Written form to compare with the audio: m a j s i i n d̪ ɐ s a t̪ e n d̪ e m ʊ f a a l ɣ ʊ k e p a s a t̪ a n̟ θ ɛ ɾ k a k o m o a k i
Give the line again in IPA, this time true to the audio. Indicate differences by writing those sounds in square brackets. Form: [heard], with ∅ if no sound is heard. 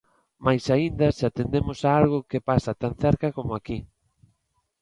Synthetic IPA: m a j s [a] i n d̪ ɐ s a t̪ e n d̪ e m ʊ [s] a a l ɣ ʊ k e p a s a t̪ a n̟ θ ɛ ɾ k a k o m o a k i